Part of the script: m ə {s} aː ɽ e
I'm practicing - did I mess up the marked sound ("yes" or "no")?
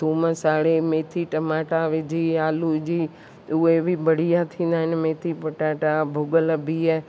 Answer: no